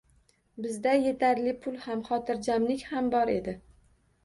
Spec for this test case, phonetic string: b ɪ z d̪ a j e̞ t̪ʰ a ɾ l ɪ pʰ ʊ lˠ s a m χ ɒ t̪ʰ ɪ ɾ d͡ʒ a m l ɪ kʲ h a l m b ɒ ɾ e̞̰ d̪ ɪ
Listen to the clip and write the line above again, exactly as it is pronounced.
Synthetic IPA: b ɪ z d̪ a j e̞ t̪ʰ a ɾ l ɪ pʰ ʊ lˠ h a m χ ɒ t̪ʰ ɪ ɾ d͡ʒ a m l ɪ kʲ h a m b ɒ ɾ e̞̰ d̪ ɪ